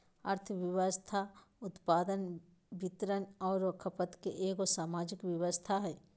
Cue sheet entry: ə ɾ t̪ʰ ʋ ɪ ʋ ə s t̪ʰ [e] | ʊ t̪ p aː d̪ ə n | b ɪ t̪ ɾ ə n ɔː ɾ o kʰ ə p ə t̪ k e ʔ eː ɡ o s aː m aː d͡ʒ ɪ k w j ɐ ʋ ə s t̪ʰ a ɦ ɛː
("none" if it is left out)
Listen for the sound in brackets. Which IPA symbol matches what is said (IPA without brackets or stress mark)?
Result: a